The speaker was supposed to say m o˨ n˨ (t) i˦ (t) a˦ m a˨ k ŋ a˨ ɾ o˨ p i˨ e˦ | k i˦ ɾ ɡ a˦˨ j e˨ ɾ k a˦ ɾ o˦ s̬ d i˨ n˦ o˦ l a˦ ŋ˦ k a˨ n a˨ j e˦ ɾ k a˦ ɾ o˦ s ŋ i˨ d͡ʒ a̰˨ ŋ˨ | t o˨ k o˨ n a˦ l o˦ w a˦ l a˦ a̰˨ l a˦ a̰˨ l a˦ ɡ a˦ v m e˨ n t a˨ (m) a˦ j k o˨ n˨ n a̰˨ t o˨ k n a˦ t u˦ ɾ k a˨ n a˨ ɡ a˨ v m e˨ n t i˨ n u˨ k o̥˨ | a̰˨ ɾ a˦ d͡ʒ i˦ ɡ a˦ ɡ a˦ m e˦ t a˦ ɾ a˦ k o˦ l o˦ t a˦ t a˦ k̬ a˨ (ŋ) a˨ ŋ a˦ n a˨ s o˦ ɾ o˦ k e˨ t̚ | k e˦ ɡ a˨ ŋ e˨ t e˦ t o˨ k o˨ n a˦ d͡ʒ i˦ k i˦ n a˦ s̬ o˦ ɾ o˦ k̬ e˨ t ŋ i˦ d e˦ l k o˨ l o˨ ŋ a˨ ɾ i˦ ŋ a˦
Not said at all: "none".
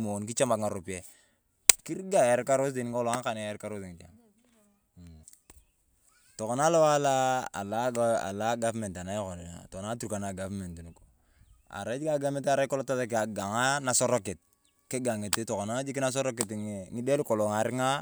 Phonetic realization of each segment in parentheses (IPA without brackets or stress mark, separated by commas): k, t͡ʃ, n, ɡ